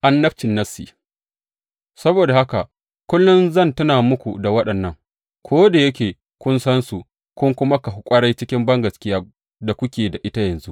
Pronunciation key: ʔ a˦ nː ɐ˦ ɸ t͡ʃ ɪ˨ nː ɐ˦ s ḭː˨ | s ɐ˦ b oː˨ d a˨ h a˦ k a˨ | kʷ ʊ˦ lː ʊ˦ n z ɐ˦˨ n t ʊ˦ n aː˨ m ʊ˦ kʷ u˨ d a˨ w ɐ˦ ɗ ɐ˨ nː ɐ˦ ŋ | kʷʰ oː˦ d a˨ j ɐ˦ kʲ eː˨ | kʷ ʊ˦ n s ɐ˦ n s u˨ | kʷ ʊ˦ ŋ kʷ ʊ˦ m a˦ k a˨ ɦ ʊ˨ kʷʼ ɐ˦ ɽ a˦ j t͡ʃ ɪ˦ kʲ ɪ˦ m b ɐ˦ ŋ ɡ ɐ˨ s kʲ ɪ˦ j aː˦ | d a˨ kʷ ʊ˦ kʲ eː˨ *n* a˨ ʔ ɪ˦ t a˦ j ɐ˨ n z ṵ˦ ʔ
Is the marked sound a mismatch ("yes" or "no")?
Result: yes